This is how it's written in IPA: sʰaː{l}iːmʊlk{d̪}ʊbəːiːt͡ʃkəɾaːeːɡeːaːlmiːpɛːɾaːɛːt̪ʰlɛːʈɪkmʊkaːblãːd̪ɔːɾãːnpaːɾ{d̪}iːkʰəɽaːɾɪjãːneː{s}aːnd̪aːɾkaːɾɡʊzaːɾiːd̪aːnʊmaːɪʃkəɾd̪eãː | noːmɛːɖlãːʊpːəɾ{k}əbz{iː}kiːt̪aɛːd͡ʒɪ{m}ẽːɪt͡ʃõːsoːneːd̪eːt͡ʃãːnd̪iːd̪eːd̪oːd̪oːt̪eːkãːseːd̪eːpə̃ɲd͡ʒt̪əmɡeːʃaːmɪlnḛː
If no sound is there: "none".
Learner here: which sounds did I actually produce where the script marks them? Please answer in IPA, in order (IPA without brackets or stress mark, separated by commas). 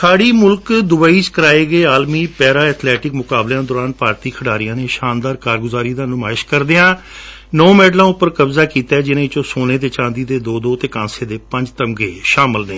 ɽ, d̪, t̪, ʃ, k, aː, n